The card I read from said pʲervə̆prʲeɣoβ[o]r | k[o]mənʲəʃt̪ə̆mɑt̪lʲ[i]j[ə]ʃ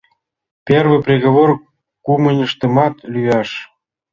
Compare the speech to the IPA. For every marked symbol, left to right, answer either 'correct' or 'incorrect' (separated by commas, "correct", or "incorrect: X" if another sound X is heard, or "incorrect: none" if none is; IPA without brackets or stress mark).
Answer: correct, incorrect: u, incorrect: y, incorrect: ɑ